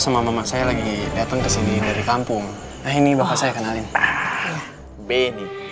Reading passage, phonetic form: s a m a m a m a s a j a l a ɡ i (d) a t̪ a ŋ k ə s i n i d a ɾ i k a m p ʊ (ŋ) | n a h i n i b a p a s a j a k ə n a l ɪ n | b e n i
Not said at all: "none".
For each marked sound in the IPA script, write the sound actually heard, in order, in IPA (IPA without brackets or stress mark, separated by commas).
d, ŋ